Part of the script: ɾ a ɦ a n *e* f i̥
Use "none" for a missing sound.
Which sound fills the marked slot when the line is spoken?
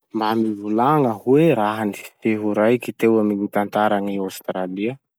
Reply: i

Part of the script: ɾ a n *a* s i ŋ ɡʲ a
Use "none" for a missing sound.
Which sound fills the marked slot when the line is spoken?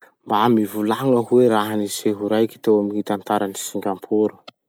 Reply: i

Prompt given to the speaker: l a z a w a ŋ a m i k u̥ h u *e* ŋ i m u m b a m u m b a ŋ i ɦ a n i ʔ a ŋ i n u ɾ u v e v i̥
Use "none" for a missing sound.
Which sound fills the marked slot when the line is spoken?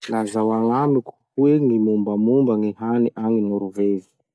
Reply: e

